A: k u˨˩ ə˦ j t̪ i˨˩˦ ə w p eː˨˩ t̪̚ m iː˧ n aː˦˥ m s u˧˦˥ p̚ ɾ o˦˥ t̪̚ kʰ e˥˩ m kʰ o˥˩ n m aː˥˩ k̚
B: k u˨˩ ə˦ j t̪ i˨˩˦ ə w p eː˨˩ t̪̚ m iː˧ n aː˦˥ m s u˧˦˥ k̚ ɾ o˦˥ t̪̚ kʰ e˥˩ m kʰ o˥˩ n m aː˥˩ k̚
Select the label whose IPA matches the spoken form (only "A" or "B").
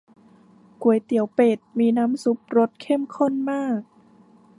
A